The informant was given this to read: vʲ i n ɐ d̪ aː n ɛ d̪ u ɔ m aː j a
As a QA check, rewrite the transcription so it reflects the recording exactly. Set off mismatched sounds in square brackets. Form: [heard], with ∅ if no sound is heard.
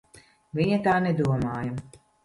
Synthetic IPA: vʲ i [ɲ] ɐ [t̪] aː n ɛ d̪ u ɔ m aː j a